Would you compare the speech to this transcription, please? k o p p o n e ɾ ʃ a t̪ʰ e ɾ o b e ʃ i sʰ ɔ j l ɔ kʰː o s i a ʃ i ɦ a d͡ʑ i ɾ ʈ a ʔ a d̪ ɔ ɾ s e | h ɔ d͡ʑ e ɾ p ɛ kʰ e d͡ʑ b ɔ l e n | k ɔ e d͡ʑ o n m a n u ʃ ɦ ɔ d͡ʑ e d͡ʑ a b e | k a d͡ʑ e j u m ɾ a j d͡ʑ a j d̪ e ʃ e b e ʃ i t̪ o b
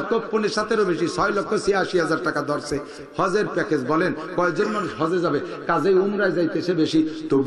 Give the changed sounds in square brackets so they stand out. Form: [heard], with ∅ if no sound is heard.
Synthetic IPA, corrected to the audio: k o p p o n e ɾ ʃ a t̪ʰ e ɾ o b e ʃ i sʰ ɔ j l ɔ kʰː o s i a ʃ i ɦ a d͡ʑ [a] ɾ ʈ a [k] a d̪ ɔ ɾ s e | h ɔ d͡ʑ e ɾ p ɛ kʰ e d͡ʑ b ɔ l e n | k ɔ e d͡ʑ o n m a n u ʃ ɦ ɔ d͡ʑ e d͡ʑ a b e | k a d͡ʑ e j u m ɾ a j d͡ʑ a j [t̪] e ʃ e b e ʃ i t̪ o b